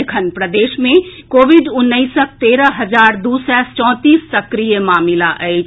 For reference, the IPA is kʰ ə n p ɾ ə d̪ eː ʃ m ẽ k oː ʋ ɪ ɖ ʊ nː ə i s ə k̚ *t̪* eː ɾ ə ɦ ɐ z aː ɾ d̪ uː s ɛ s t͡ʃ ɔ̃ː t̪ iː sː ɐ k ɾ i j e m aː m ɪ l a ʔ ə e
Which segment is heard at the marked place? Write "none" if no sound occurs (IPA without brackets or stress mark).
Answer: t̪